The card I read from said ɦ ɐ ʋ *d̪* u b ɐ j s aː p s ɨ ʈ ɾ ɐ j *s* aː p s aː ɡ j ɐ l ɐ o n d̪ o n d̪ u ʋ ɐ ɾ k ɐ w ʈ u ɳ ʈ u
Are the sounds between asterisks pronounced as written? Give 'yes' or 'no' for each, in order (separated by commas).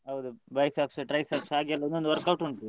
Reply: yes, yes